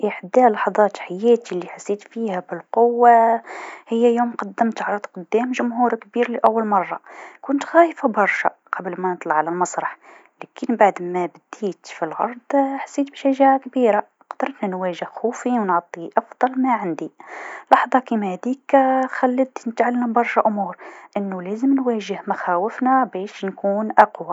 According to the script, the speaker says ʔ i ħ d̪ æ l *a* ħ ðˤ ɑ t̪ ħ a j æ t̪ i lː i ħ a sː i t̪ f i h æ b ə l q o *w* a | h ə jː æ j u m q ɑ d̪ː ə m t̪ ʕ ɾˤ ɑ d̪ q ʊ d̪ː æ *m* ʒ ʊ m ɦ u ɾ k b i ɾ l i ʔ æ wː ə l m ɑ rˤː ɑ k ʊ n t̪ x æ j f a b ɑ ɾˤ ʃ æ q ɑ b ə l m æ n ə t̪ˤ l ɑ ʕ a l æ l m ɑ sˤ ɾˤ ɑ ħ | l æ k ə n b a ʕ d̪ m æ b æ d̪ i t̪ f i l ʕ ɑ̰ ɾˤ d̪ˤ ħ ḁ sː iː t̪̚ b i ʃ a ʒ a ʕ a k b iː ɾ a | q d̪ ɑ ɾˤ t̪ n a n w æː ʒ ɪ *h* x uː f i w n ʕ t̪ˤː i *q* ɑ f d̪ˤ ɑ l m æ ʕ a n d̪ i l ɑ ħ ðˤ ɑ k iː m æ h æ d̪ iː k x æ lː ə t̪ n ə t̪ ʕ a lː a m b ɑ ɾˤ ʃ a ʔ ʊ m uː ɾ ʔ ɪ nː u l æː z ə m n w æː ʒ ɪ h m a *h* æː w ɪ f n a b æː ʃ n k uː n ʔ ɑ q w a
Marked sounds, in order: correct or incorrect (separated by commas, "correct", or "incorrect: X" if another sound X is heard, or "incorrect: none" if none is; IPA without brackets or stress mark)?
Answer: incorrect: ɑ, incorrect: wː, correct, correct, incorrect: ʔ, incorrect: x